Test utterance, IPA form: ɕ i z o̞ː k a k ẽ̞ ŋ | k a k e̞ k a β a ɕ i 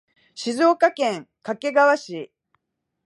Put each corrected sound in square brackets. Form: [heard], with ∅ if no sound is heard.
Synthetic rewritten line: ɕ i z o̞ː k a k ẽ̞ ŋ | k a k e̞ [ɡ] a β a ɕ i